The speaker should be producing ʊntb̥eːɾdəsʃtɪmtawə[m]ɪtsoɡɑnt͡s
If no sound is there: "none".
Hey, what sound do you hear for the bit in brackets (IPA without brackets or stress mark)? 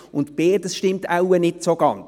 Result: n